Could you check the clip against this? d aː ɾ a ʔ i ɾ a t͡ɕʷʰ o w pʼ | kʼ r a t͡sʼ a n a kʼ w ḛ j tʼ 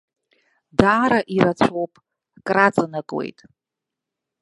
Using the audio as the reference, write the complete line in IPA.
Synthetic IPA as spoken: d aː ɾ a ʔ i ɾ a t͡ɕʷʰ o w pʼ | kʼ r a t͡sʼ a n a kʼ w ḛ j tʼ